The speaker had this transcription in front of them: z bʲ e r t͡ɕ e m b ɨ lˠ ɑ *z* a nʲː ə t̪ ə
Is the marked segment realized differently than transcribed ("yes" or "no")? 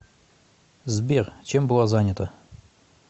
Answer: no